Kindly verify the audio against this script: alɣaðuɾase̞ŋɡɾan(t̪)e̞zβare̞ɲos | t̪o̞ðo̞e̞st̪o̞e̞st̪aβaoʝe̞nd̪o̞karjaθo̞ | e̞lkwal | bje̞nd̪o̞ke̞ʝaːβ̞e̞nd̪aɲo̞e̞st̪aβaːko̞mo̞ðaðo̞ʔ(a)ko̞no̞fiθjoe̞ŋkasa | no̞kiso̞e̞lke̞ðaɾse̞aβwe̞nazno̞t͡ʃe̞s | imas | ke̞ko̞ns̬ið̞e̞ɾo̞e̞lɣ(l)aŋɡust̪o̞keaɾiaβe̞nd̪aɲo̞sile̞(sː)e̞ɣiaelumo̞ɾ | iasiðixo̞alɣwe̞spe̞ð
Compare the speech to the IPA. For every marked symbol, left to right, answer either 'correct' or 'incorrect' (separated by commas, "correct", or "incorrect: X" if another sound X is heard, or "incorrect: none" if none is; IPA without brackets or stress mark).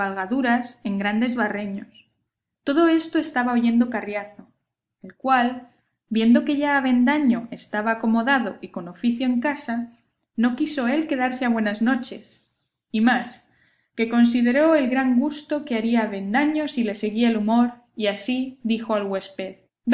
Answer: incorrect: d̪, incorrect: i, incorrect: ɾ, incorrect: s